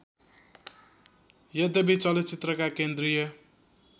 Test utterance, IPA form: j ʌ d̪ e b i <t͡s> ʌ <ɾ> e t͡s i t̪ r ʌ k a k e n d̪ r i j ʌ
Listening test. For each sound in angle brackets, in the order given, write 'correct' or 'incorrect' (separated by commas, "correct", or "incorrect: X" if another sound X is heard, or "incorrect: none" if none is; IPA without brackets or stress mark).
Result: correct, incorrect: l